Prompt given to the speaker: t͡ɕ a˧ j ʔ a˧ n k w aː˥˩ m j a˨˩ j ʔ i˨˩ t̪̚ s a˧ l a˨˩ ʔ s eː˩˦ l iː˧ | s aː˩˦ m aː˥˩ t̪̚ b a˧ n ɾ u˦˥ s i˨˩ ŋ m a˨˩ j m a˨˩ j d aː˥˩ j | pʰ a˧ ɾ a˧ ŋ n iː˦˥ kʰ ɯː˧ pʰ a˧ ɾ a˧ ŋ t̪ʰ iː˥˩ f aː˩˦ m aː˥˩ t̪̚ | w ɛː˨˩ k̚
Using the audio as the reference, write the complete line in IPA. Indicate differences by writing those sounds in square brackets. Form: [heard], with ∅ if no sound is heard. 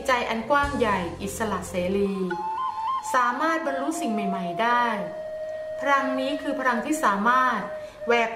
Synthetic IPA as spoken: t͡ɕ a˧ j ʔ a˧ n k w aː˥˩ m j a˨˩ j ʔ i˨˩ t̪̚ s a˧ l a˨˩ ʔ s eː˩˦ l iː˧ | s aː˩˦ m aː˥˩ t̪̚ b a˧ n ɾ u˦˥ s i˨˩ ŋ m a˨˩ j m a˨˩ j d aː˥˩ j | pʰ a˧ ɾ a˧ ŋ n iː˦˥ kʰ ɯː˧ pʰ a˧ ɾ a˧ ŋ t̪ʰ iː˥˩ [s] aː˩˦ m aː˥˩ t̪̚ | w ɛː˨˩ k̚